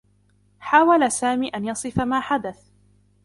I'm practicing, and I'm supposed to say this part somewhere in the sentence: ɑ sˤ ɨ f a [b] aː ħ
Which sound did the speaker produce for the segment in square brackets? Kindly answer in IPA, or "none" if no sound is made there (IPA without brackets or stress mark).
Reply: m